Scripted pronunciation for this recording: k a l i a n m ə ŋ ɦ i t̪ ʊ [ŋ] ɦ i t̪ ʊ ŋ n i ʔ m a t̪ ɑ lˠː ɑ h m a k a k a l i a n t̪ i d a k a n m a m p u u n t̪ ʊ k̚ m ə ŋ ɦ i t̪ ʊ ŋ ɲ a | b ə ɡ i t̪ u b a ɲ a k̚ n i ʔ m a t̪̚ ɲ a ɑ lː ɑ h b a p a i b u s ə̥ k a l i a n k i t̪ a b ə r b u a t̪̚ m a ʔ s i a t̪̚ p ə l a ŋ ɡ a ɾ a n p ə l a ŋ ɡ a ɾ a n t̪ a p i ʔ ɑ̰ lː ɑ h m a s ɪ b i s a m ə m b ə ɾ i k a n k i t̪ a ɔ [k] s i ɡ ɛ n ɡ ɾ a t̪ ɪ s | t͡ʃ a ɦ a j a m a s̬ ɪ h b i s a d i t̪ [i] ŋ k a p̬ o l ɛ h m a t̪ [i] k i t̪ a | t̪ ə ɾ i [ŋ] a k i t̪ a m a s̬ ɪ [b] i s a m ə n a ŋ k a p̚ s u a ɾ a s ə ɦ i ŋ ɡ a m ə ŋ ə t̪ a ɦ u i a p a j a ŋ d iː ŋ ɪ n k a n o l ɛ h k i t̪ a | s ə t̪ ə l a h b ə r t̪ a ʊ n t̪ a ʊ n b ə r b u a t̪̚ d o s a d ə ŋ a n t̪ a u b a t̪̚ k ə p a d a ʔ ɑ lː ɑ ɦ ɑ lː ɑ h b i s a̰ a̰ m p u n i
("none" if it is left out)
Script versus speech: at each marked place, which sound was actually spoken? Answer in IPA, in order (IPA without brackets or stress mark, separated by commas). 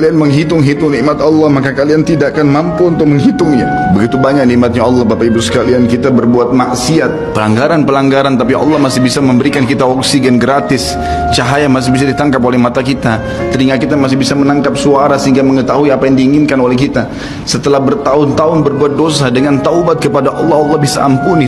ŋ, k, a, a, ŋ, b